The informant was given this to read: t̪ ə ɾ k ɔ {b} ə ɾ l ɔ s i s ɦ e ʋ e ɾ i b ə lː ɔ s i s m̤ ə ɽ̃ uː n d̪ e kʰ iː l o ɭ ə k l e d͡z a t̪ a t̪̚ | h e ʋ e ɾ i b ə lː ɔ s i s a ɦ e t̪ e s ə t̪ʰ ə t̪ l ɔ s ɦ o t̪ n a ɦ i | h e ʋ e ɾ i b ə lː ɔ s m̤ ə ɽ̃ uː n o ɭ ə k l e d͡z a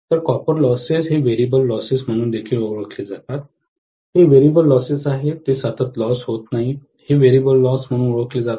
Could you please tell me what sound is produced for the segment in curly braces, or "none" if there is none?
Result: p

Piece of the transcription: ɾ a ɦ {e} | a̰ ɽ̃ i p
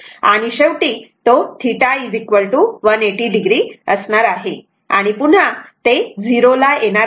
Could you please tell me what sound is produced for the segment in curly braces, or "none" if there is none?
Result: e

